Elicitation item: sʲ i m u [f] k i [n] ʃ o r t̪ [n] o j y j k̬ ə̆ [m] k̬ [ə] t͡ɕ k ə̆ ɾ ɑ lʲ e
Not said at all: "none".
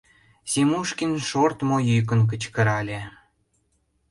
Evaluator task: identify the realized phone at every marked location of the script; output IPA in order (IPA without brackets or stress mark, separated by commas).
ʃ, n, m, n, ə